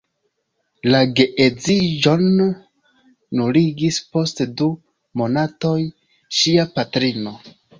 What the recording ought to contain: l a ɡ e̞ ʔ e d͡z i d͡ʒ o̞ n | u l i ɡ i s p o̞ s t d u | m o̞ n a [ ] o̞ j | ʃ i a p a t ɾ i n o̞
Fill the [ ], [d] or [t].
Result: t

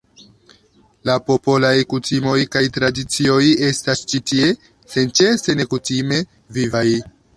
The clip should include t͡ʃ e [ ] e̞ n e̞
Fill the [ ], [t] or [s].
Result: s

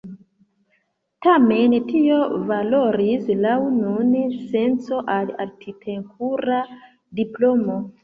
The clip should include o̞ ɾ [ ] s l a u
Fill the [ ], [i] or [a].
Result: i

